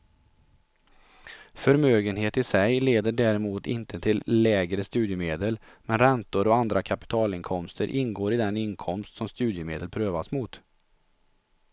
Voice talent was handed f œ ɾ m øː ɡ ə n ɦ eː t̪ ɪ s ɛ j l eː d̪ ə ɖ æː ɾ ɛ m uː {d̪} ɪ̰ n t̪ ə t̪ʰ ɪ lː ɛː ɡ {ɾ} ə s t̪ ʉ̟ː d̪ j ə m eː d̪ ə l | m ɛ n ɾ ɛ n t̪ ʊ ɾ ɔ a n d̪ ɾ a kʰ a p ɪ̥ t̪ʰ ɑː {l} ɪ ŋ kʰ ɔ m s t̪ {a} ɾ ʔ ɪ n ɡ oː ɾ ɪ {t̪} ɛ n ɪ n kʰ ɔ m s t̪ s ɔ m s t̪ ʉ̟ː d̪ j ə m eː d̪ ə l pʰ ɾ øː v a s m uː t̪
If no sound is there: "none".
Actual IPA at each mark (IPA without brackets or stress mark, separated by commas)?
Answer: t̪, ɾ, l, ə, d̪